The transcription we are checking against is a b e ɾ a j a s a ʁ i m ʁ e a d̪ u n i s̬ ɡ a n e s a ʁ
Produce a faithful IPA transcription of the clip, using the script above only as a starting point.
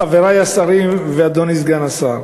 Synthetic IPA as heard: a v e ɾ a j a s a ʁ i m v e a d̪ o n i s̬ ɡ a n a s a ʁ